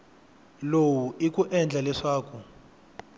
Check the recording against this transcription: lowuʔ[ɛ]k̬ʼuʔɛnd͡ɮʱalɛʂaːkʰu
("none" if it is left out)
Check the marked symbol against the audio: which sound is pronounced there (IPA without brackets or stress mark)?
i